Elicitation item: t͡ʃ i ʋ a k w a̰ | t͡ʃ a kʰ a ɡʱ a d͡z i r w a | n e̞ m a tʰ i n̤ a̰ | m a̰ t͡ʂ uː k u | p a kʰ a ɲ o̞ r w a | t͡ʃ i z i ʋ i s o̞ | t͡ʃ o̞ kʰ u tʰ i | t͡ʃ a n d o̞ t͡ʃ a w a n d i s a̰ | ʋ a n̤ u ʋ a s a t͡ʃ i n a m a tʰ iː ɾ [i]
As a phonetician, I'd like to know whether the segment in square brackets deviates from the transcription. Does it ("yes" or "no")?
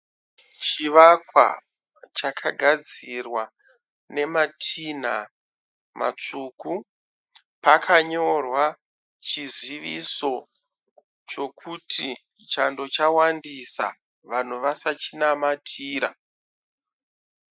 yes